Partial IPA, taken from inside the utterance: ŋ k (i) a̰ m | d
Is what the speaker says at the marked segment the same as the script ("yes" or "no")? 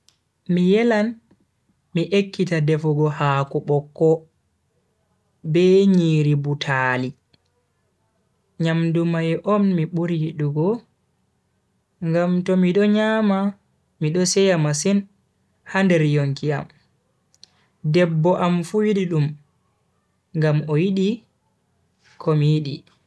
yes